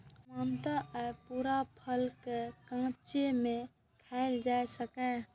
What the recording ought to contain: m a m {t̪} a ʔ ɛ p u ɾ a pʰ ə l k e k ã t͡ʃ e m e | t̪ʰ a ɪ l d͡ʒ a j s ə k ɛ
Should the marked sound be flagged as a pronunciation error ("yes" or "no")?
no